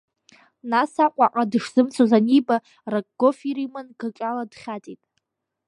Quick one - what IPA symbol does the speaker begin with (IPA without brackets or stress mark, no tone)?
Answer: n